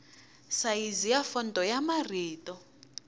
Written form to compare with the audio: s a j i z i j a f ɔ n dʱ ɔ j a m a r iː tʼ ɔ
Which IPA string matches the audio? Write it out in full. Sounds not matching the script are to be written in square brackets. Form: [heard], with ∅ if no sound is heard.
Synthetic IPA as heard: s a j i z i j a f ɔ n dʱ ɔ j a m a r iː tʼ ɔ